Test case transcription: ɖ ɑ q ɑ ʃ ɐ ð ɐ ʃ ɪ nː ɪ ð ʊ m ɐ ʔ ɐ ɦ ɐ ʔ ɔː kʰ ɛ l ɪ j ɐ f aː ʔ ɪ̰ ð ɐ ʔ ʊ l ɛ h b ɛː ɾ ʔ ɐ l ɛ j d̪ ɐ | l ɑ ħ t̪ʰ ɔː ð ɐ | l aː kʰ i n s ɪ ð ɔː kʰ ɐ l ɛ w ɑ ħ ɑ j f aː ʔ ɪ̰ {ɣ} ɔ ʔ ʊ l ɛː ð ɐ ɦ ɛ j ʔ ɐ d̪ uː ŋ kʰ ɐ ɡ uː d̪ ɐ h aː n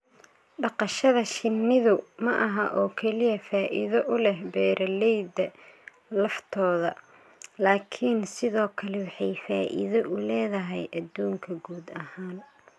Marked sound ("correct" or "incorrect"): incorrect